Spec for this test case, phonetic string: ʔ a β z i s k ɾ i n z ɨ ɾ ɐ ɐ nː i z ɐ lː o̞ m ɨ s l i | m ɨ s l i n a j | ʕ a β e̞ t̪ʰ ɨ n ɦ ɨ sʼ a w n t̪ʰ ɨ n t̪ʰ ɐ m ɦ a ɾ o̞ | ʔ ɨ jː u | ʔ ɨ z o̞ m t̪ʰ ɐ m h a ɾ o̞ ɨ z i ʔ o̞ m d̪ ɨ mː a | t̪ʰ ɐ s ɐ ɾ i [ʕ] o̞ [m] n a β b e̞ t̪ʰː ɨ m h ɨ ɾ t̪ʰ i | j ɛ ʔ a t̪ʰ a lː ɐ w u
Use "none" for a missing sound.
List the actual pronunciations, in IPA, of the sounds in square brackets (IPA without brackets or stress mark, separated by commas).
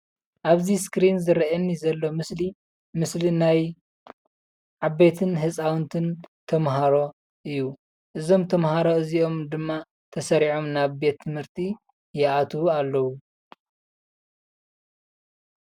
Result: ʕ, m